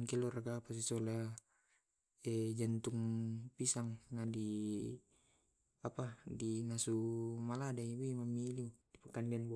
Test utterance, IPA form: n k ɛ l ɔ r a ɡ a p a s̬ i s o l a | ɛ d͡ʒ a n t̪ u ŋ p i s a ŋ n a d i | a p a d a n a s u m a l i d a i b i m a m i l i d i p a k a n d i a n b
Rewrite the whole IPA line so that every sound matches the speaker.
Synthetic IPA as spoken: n k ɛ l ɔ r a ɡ a p a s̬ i s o l a | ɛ d͡ʒ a n t̪ u ŋ p i s a ŋ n a d i | a p a d i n a s u m a l a d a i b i m a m i l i d i p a k a n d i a n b